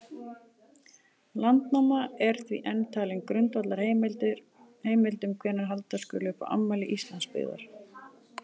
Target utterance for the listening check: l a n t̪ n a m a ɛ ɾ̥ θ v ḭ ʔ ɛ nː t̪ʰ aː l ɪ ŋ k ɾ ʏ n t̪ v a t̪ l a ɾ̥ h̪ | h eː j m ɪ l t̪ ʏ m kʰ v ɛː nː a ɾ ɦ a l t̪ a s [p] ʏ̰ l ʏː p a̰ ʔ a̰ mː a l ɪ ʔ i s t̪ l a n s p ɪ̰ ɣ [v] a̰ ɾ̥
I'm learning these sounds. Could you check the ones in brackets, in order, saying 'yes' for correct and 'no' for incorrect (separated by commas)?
no, no